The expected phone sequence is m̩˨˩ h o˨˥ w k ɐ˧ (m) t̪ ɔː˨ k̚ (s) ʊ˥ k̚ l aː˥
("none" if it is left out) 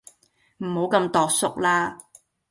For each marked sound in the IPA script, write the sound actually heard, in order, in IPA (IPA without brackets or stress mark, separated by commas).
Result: m, s